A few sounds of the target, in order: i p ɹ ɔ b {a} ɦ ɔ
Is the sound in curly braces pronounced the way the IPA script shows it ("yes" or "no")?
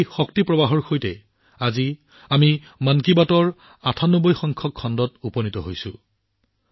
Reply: yes